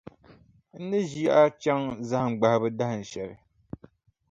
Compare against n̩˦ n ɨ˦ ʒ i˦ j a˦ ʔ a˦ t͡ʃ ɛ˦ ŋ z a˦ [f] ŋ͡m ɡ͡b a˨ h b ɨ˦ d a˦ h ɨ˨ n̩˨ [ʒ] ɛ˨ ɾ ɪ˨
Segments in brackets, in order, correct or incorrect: incorrect, incorrect

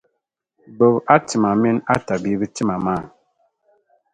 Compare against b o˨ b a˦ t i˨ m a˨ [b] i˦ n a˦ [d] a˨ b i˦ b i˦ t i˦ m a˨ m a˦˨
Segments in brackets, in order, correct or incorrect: incorrect, incorrect

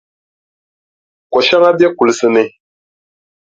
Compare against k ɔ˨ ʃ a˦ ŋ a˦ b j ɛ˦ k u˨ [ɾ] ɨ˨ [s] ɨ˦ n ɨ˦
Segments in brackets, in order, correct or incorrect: incorrect, correct

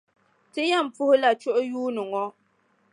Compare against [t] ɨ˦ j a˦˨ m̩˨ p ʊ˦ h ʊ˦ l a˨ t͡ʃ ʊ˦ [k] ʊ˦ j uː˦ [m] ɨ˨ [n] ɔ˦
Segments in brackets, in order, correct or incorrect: correct, incorrect, incorrect, incorrect

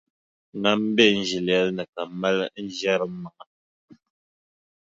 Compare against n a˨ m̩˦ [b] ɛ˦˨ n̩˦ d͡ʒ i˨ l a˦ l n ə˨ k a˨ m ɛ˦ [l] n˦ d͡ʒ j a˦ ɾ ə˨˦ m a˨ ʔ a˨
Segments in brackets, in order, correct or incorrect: correct, correct

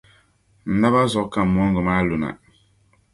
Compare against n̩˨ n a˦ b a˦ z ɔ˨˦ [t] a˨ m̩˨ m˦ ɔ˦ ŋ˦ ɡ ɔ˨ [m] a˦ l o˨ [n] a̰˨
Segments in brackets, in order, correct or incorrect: incorrect, correct, correct

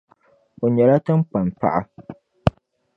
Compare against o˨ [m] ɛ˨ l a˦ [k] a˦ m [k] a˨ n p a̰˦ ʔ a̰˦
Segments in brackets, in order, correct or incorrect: incorrect, incorrect, incorrect

